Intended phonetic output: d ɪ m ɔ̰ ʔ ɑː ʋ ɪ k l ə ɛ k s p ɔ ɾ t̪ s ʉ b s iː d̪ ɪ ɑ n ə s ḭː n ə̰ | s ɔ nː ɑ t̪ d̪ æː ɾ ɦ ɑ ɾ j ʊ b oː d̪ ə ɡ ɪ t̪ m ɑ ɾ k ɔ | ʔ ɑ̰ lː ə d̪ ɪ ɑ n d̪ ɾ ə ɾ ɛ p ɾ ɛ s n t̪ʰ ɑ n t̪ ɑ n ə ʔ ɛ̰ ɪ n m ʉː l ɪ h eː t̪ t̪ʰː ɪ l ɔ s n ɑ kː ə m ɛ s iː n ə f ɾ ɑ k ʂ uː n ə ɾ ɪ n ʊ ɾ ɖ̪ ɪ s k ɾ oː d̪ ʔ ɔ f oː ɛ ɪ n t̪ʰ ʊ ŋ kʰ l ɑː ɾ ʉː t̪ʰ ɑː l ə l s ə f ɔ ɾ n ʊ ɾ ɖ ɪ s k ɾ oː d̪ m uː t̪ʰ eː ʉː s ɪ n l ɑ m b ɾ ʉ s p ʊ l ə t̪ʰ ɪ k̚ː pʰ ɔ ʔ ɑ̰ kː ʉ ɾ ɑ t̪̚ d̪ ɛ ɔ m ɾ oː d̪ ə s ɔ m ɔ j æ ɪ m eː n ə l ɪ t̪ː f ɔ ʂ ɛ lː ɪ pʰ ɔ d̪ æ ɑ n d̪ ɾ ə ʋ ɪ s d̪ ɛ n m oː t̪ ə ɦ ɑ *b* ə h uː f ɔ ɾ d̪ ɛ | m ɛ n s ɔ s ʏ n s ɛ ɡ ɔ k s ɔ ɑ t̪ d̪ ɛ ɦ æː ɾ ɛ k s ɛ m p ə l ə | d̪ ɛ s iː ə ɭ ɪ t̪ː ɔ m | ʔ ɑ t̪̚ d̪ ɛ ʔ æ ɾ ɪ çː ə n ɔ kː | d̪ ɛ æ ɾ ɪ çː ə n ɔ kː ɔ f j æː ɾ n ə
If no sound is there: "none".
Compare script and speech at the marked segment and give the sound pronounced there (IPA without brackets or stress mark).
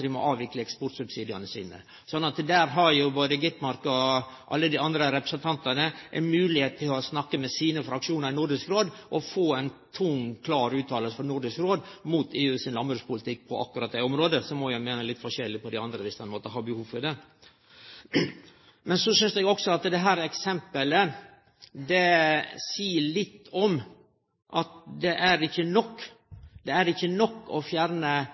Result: b